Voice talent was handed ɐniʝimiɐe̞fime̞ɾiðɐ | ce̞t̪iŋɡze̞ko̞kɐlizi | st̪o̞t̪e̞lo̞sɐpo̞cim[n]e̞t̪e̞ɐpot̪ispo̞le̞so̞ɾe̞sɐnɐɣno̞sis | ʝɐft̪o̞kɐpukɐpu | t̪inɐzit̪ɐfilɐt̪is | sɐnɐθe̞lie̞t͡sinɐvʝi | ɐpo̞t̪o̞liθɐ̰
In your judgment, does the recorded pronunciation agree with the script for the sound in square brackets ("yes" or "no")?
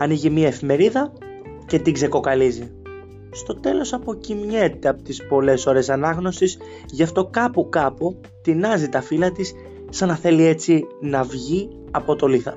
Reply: no